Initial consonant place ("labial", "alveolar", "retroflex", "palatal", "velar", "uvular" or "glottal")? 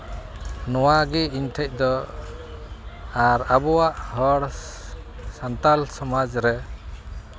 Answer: alveolar